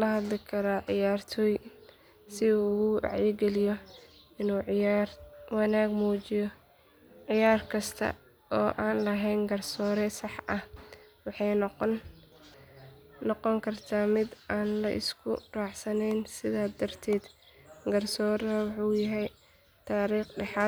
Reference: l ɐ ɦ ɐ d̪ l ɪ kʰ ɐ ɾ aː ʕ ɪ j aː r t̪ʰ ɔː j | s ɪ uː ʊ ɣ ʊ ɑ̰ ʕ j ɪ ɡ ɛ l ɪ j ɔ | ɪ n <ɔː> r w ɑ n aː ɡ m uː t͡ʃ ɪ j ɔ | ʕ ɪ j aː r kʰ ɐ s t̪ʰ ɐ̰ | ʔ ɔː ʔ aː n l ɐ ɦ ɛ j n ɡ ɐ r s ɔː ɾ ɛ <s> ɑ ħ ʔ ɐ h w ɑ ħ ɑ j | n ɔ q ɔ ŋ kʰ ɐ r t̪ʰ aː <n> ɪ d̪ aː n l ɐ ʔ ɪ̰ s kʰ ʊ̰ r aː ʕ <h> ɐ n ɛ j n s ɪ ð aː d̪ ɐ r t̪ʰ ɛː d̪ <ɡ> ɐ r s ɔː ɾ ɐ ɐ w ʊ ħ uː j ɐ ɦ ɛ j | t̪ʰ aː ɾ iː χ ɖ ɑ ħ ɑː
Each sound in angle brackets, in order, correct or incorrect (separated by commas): incorrect, correct, incorrect, incorrect, correct